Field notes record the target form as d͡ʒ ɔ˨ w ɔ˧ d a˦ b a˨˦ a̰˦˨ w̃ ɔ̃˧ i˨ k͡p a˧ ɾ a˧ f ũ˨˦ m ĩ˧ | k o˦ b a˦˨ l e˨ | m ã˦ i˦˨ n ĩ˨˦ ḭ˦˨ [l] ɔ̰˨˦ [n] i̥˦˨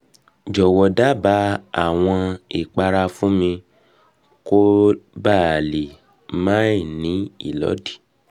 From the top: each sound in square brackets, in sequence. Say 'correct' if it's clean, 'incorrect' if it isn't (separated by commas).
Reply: correct, incorrect